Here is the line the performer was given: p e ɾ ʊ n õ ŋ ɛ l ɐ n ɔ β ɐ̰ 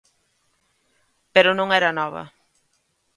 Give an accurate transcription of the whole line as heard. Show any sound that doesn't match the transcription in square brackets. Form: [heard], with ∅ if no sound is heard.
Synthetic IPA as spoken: p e ɾ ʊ n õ ŋ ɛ [ɾ] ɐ n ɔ β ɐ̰